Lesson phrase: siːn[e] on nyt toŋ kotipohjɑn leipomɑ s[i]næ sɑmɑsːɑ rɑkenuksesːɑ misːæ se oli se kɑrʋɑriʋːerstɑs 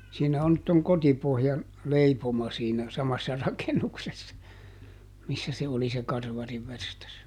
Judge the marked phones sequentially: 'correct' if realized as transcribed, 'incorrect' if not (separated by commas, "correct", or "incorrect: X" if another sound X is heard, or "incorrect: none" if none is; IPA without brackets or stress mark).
incorrect: æ, incorrect: iː